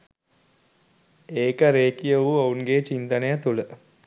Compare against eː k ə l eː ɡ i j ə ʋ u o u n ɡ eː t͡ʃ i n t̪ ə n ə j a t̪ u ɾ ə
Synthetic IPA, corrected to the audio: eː k ə ɾ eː k i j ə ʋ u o u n ɡ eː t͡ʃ i n t̪ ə n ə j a t̪ u l ə